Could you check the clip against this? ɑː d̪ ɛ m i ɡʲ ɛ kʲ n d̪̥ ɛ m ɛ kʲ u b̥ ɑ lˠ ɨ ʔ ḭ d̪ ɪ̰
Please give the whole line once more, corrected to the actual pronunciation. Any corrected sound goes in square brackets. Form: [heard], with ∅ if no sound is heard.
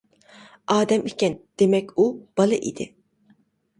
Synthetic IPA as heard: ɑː d̪ ɛ m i [kʲ] ɛ [∅] n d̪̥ [e] m ɛ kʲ u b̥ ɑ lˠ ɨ ʔ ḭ d̪ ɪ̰